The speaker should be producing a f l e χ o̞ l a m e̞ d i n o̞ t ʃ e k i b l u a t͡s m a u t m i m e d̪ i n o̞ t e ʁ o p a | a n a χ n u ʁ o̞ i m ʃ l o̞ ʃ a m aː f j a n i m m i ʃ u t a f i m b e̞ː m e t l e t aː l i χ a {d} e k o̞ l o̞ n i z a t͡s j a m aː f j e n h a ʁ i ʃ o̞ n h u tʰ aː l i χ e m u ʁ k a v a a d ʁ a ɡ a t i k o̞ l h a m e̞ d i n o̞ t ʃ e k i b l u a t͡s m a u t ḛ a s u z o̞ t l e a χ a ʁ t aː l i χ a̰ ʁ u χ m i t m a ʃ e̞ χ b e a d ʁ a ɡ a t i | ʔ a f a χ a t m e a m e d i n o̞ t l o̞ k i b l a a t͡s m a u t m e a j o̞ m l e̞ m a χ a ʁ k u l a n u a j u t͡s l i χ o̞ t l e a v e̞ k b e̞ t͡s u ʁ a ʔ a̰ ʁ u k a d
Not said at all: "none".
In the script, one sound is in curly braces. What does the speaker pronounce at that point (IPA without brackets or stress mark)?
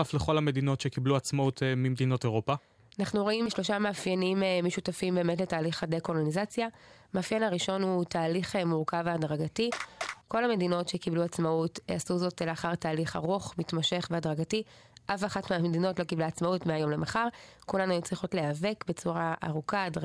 d